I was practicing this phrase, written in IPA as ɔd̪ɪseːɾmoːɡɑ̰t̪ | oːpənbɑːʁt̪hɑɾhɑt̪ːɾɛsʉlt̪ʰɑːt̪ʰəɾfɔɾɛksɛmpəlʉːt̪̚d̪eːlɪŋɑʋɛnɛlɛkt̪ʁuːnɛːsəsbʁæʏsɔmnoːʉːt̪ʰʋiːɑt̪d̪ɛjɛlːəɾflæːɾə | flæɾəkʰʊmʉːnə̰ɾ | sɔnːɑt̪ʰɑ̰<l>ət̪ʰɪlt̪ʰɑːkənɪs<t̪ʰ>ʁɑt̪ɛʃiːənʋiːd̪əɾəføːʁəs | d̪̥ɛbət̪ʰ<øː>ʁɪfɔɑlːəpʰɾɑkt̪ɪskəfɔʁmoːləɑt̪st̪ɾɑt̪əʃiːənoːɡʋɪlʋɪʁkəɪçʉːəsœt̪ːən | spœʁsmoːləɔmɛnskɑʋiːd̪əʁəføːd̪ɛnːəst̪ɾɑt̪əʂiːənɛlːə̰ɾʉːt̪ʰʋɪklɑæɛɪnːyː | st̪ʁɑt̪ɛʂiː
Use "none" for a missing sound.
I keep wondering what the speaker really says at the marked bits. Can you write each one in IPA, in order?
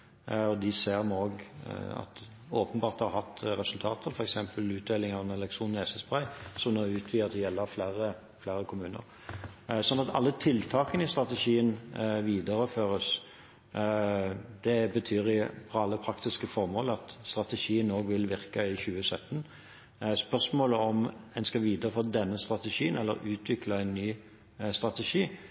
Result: lː, t̪, yː

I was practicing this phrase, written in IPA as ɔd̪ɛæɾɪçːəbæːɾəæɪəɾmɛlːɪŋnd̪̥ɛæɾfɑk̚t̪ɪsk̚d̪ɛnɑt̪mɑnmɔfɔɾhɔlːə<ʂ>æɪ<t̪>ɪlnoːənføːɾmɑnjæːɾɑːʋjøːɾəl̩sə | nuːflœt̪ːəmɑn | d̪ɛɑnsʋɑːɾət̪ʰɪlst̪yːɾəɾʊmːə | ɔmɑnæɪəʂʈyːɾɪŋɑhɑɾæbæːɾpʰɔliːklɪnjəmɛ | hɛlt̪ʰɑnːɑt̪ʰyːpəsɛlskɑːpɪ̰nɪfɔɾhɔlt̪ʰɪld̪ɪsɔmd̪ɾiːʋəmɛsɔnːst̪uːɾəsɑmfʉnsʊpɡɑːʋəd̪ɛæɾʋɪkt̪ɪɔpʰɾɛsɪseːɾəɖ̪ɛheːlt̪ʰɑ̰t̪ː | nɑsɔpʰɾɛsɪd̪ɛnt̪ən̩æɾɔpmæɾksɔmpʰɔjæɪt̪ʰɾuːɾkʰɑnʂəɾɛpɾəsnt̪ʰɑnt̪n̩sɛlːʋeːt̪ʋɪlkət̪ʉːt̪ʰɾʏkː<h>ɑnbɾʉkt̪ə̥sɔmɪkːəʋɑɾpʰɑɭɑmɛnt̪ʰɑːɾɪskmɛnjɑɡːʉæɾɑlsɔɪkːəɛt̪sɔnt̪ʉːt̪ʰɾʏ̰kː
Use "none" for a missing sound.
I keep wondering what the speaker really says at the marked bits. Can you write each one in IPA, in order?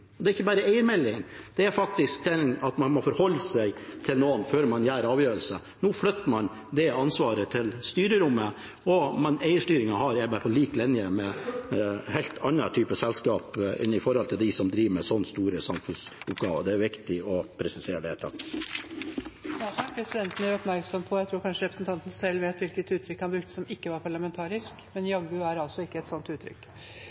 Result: s, t̪ʰ, h

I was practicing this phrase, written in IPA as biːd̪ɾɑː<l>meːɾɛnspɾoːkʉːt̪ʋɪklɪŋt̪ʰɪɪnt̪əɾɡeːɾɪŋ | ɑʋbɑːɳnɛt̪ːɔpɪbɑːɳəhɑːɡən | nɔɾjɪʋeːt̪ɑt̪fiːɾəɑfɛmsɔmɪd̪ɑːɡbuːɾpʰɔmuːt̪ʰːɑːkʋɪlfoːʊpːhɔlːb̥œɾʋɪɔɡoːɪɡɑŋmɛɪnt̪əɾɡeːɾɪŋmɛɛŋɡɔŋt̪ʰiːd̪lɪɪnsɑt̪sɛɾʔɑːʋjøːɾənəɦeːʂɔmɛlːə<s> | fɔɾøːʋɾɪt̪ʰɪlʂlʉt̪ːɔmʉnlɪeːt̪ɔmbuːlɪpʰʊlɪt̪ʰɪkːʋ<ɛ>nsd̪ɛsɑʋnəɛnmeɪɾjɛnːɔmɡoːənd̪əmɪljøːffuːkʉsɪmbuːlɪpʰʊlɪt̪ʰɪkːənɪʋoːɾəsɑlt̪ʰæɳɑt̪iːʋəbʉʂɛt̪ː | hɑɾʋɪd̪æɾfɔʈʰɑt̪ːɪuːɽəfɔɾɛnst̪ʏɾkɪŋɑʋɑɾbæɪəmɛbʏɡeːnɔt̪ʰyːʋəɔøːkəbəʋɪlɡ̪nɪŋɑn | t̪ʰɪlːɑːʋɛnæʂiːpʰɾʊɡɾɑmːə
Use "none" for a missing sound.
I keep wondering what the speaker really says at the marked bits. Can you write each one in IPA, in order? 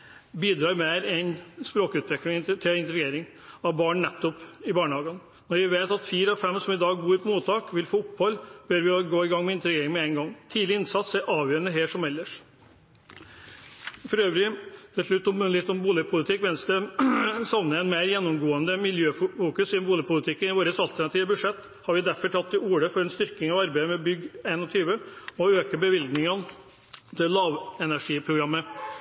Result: ɾ, ʂ, ɛ

